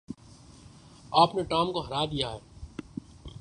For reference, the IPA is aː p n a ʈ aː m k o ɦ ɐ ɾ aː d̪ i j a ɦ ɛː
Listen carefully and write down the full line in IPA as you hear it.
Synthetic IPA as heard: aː p n e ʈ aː m k o ɦ ɐ ɾ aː d̪ i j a ɦ ɛː